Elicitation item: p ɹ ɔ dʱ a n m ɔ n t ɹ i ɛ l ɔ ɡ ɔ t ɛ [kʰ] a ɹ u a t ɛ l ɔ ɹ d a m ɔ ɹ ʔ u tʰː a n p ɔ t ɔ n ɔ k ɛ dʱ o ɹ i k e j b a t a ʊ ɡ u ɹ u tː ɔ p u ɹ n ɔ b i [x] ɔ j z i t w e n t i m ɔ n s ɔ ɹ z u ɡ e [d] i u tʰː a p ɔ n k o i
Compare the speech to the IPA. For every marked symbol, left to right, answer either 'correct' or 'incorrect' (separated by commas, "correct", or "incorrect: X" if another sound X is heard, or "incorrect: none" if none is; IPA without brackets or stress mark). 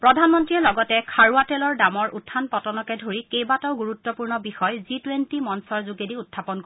correct, correct, correct